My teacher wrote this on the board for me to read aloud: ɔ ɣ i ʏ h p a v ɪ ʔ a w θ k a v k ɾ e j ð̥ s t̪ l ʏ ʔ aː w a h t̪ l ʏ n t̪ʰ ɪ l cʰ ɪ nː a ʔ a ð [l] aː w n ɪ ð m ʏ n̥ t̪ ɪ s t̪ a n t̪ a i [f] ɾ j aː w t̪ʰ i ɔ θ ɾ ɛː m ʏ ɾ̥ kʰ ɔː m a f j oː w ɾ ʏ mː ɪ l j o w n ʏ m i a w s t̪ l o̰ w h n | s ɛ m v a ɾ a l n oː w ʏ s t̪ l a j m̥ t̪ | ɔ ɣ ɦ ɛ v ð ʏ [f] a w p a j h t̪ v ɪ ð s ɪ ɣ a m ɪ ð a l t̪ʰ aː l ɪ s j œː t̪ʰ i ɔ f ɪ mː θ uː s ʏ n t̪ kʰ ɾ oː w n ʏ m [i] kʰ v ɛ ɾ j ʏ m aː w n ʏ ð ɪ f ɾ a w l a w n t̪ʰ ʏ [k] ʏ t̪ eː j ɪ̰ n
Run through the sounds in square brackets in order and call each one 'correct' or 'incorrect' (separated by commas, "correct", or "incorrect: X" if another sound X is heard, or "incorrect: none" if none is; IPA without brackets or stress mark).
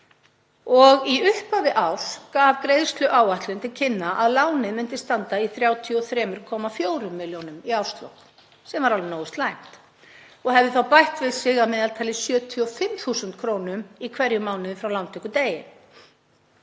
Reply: correct, incorrect: θ, incorrect: θ, correct, correct